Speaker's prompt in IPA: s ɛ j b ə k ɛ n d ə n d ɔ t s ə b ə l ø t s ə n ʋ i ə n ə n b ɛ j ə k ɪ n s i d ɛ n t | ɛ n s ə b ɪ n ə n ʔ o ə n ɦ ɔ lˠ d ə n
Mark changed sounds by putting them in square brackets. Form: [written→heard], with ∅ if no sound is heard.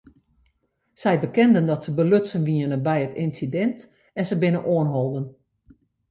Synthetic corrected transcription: s ɛ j b ə k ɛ n d ə n d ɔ t s ə b ə l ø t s ə n ʋ i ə n ə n b ɛ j ə [k→t] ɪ n s i d ɛ n t | ɛ n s ə b ɪ n ə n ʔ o ə n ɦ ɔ lˠ d ə n